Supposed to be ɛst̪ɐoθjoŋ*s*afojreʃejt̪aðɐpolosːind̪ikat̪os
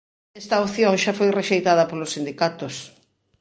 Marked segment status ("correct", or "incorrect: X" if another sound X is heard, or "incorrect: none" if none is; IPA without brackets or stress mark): incorrect: ʃ